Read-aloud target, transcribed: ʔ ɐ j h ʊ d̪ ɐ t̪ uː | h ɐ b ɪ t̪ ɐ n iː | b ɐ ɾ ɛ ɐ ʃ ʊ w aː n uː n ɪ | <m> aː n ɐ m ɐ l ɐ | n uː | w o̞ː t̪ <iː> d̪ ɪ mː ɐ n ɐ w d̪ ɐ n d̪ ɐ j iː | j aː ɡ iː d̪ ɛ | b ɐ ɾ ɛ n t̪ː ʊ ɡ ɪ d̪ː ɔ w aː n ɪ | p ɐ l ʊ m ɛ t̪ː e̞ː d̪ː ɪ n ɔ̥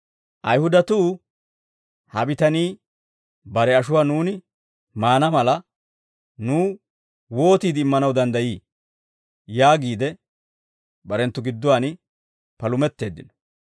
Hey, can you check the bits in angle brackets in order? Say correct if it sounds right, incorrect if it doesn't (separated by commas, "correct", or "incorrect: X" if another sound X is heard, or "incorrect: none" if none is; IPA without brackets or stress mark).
correct, correct